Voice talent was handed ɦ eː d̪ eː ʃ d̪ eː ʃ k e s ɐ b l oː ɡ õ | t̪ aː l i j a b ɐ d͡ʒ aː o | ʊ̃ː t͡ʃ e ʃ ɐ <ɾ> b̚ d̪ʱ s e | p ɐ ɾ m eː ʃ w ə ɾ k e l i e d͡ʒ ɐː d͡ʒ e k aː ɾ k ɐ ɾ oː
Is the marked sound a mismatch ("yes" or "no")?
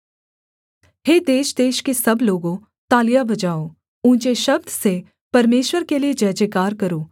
yes